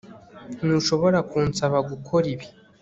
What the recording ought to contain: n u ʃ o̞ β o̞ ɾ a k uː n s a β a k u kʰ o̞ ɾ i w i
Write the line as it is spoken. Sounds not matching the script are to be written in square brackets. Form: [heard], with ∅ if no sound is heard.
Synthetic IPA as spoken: n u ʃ o̞ β o̞ ɾ a k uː n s a β a [ɡ] u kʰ o̞ ɾ i [β] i